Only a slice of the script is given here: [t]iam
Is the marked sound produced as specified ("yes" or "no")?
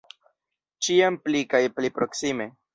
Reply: no